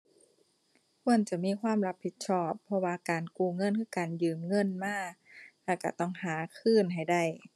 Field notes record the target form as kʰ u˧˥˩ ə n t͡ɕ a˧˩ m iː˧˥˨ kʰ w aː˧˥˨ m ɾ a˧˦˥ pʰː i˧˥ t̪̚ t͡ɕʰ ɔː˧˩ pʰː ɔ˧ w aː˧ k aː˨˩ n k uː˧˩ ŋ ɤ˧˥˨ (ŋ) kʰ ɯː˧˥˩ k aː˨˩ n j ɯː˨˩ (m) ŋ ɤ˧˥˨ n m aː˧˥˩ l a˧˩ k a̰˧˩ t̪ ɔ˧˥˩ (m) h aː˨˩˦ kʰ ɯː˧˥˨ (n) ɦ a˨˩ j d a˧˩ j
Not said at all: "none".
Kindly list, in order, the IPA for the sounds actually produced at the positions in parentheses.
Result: n, m, ŋ, n

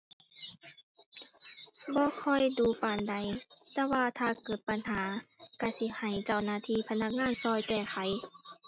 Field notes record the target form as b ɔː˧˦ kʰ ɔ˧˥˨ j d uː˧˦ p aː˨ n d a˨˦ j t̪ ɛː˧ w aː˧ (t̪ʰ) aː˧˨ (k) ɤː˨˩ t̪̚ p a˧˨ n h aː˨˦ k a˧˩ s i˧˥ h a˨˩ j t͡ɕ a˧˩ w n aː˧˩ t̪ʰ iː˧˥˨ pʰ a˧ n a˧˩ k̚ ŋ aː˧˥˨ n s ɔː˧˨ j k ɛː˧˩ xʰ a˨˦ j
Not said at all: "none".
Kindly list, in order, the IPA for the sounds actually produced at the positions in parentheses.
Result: t̪ʰ, k

